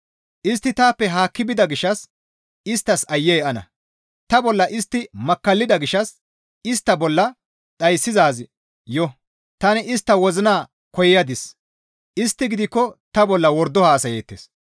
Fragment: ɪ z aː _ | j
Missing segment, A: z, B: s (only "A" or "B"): A